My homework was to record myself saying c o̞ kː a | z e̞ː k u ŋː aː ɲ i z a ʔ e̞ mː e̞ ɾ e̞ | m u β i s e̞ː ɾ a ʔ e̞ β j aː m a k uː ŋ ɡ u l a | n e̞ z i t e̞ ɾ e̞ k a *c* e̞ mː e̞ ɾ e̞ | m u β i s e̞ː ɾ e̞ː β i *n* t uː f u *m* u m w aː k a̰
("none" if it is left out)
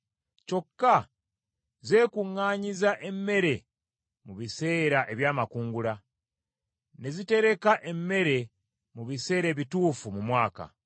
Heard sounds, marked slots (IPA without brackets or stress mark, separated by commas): ʔ, none, m